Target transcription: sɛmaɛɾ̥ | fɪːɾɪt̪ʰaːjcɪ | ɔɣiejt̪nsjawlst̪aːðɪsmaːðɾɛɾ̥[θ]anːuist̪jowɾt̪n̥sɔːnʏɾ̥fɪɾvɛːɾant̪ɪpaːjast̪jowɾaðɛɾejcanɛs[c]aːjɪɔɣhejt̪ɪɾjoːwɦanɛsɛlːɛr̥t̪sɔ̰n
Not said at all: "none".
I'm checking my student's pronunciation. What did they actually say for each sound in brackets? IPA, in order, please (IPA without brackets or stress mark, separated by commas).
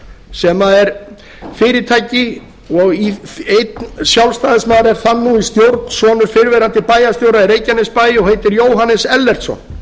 θ, p